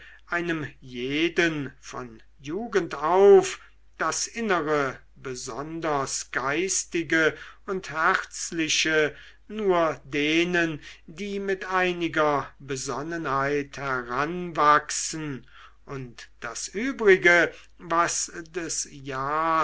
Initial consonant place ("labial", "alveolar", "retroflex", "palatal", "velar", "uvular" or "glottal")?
glottal